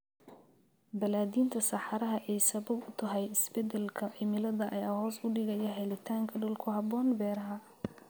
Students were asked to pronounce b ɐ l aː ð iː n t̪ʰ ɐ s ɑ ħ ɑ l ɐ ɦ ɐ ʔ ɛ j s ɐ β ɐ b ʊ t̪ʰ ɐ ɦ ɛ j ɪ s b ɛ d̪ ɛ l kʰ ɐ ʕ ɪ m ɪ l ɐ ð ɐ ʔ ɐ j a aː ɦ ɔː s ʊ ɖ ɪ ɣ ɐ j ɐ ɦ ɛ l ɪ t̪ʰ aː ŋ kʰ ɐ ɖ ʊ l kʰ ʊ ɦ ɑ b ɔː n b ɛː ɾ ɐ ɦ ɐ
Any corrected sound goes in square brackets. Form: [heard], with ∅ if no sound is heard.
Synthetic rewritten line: b ɐ l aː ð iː n t̪ʰ ɐ s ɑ ħ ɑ [ɾ] ɐ ɦ ɐ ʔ ɛ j s ɐ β ɐ b ʊ t̪ʰ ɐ ɦ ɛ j ɪ s b ɛ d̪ ɛ l kʰ ɐ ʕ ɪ m ɪ l ɐ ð ɐ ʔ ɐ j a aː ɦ ɔː s ʊ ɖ ɪ ɣ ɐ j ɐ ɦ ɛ l ɪ t̪ʰ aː ŋ kʰ ɐ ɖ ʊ l kʰ ʊ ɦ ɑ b ɔː n b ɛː ɾ ɐ ɦ ɐ

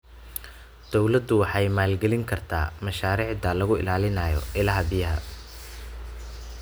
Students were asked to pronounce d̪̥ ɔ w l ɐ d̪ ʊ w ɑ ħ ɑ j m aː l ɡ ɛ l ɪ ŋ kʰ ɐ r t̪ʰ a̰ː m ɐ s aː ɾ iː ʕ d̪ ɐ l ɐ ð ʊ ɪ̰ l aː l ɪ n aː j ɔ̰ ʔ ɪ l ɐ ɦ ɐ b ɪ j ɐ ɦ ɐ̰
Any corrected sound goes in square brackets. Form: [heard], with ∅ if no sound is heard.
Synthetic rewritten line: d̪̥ ɔ w l ɐ d̪ ʊ w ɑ ħ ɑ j m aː l ɡ ɛ l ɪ ŋ kʰ ɐ r t̪ʰ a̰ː m ɐ [ʃ] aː ɾ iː ʕ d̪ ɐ l ɐ [ɣ] ʊ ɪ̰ l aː l ɪ n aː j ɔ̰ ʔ ɪ l ɐ ɦ ɐ b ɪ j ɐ ɦ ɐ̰

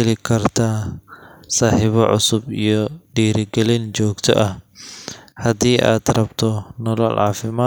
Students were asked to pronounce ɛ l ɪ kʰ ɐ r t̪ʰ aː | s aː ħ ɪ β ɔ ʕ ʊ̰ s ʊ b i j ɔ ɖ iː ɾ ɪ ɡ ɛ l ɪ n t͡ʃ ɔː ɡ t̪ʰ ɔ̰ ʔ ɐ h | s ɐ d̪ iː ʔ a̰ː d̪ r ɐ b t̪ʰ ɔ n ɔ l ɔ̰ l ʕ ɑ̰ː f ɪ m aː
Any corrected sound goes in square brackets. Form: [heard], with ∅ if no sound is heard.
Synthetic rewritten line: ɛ l ɪ kʰ ɐ r t̪ʰ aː | s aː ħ ɪ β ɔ ʕ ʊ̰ s ʊ b i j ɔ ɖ iː ɾ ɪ ɡ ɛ l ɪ n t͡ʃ ɔː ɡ t̪ʰ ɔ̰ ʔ ɐ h | [h] ɐ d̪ iː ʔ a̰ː d̪ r ɐ b t̪ʰ ɔ n ɔ l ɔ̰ l ʕ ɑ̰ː f ɪ m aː

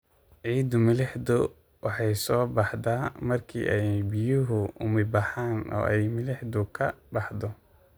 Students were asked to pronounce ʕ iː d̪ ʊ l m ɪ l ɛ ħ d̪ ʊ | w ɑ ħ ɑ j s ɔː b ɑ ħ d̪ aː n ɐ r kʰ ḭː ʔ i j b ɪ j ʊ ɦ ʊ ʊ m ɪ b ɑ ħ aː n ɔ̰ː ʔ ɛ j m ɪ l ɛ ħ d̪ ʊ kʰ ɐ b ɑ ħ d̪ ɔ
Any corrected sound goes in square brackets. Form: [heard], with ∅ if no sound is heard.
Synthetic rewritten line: ʕ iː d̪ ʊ [∅] m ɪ l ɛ ħ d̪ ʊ | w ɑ ħ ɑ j s ɔː b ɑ ħ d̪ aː [m] ɐ r kʰ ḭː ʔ [ɛ] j b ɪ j ʊ ɦ ʊ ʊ m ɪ b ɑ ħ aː n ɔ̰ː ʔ ɛ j m ɪ l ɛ ħ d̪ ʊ kʰ ɐ b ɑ ħ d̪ ɔ

